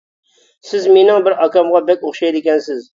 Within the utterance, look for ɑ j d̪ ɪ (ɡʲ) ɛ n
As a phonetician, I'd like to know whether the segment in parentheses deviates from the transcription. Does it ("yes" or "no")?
yes